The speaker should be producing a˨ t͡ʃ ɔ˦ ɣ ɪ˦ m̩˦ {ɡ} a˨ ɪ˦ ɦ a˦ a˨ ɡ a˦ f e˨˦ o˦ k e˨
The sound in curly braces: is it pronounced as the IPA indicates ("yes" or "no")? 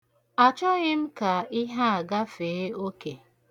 no